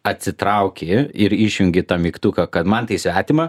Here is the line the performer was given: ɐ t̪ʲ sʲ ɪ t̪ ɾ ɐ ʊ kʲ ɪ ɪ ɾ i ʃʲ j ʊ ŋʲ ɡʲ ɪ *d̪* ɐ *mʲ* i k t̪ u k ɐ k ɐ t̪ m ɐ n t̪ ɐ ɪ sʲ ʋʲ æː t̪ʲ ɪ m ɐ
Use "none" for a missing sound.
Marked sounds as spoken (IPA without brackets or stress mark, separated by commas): t̪, mʲ